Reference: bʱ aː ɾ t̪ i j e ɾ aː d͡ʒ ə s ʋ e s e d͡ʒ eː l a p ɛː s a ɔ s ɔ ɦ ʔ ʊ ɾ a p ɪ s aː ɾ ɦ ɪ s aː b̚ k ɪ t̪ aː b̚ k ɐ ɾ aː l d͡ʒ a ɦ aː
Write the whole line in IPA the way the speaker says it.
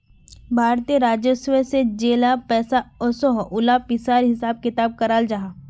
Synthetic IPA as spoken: bʱ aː ɾ t̪ i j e ɾ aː d͡ʒ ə s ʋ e s e d͡ʒ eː l a p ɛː s a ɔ s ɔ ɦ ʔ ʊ l a p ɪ s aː ɾ ɦ ɪ s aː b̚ k ɪ t̪ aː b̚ k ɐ ɾ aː l d͡ʒ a ɦ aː